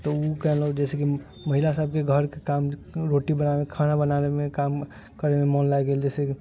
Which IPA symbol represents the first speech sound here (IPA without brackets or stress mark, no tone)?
t̪